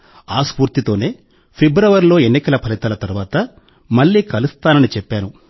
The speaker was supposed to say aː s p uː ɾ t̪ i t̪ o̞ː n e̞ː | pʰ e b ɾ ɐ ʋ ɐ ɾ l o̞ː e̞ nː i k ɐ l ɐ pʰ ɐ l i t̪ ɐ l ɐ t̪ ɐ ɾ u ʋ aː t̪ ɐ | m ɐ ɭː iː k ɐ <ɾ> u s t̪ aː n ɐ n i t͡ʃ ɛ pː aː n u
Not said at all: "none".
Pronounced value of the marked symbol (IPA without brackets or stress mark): l